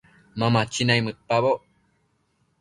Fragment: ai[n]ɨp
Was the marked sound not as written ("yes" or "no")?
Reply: yes